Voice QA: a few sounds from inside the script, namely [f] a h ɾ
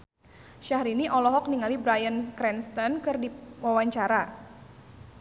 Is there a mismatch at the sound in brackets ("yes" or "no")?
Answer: yes